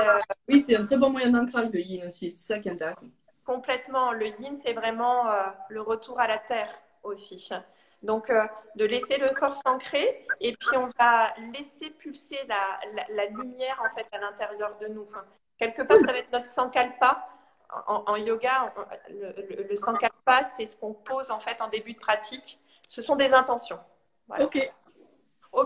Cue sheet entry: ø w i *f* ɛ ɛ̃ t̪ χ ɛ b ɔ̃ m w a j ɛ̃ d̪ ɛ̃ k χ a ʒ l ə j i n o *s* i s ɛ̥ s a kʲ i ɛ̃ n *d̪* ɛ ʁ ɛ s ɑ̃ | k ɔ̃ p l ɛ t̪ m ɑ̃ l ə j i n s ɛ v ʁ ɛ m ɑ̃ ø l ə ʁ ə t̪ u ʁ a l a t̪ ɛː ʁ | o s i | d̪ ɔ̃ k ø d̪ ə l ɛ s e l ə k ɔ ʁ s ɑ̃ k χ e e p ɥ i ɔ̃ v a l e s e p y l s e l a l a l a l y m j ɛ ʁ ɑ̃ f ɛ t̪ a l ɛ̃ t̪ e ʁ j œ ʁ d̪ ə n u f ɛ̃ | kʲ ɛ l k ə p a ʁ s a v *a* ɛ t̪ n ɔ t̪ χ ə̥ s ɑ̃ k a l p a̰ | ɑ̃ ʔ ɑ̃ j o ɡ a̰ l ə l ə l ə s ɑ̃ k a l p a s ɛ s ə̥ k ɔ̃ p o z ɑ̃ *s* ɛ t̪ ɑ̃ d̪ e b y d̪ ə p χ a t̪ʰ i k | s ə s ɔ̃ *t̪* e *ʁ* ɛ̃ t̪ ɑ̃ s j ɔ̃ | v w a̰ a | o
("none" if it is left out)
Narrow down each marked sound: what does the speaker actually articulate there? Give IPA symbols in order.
s, s, t̪, a, f, d̪, z

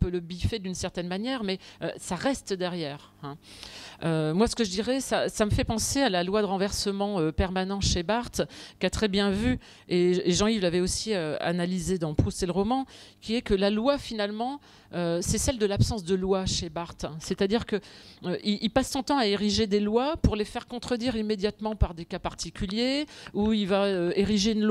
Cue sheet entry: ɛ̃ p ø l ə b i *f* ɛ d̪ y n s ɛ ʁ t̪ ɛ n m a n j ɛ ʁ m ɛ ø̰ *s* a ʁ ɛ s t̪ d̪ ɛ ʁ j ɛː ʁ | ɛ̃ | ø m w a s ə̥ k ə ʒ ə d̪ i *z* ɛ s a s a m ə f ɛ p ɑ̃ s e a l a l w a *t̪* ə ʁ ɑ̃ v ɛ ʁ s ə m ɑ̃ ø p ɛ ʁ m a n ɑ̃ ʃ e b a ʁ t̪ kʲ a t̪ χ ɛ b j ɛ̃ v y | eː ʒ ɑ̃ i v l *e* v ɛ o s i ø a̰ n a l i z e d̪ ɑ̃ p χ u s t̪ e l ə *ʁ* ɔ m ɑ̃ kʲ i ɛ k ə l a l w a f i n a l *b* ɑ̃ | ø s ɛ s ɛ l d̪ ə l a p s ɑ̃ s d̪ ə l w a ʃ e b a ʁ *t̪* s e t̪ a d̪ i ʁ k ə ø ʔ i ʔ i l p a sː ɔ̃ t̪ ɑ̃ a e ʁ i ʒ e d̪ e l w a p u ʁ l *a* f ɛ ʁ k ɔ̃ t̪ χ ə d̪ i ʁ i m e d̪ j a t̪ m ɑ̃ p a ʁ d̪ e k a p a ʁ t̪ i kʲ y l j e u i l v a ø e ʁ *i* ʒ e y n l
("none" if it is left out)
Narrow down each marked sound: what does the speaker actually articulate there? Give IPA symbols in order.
f, s, ʁ, d̪, a, ʁ, m, t̪, e, i

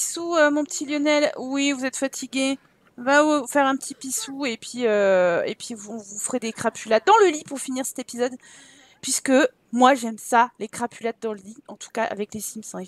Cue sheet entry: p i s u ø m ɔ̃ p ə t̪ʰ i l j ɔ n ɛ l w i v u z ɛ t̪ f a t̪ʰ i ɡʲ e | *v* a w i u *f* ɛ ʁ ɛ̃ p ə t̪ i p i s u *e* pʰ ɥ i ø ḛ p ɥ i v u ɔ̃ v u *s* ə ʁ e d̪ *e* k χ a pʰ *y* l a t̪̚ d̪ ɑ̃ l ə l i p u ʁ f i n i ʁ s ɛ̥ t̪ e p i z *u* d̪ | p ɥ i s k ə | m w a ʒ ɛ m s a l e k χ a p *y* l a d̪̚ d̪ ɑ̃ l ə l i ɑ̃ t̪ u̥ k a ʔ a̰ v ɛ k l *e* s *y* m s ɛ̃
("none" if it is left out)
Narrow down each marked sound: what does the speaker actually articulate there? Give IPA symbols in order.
v, f, e, f, e, y, ɔ, y, e, i

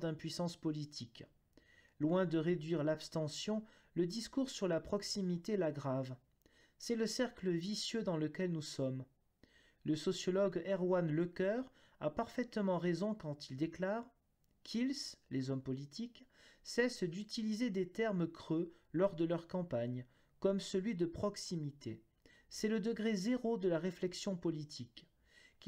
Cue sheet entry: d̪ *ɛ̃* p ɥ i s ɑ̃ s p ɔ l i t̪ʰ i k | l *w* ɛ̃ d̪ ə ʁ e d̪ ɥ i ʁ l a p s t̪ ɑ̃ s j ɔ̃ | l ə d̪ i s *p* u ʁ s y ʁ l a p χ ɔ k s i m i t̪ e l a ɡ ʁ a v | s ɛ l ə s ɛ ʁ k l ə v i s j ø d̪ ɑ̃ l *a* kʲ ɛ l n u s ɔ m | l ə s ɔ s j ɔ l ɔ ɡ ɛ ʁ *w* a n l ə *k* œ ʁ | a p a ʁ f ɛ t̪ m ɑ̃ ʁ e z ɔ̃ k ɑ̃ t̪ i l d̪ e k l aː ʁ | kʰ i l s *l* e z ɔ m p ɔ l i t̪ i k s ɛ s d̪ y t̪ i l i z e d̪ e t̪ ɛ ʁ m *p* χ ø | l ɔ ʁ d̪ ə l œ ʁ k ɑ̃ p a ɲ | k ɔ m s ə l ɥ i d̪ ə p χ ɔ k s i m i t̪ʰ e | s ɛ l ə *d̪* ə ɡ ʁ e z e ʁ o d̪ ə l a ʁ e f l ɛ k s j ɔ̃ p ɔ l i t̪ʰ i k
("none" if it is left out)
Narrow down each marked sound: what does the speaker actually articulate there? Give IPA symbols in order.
ɛ̃, w, k, ə, w, k, l, k, d̪

